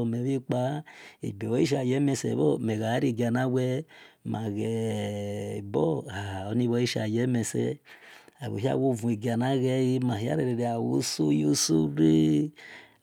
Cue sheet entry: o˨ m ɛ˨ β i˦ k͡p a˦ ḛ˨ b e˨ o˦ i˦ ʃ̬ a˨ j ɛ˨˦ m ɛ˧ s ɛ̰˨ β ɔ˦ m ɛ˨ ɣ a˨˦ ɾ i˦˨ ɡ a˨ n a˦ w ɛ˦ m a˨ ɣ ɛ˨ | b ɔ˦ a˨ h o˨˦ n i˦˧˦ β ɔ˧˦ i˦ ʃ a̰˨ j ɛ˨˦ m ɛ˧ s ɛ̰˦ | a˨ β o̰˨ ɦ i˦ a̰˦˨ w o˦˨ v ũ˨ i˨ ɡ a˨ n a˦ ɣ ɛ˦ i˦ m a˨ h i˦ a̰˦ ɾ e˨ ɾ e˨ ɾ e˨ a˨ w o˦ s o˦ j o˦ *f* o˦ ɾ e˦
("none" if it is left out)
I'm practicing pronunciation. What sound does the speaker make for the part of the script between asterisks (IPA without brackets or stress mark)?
s